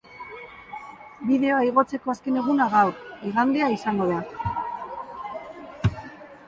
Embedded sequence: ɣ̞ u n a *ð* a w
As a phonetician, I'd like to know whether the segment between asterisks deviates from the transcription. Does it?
yes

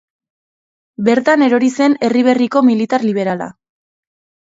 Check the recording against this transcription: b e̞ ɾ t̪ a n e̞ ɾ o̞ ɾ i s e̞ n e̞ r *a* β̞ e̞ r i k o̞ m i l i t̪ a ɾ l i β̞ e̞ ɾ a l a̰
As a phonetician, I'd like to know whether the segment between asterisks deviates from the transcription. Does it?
yes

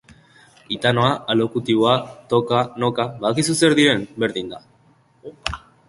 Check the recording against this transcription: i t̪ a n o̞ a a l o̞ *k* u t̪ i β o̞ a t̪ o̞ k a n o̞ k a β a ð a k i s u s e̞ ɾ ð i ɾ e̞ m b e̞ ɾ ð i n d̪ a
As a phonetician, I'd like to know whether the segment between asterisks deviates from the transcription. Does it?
no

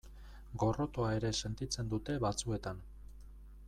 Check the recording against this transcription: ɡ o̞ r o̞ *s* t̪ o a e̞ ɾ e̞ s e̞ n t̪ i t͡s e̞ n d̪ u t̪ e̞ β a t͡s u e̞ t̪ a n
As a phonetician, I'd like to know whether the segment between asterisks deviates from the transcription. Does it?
yes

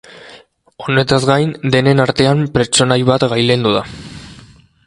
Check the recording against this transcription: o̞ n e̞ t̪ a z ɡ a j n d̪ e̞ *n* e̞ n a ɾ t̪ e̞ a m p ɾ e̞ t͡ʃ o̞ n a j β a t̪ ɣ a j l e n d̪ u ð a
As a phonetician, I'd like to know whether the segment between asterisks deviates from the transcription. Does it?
no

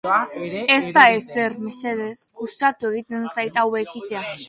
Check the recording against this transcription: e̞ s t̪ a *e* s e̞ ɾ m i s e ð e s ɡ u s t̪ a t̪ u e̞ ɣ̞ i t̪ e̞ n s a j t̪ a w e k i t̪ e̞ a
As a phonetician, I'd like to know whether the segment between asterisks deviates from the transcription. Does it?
no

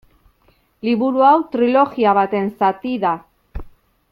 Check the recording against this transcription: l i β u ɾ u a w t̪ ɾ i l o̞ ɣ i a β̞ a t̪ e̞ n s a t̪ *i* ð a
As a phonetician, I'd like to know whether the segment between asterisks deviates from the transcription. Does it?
no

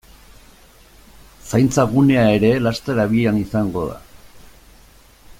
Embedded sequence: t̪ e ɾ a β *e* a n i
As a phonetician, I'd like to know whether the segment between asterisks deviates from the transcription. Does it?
yes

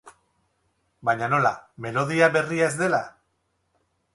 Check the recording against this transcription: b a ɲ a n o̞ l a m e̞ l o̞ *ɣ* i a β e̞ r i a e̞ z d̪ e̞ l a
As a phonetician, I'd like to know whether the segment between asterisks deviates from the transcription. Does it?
yes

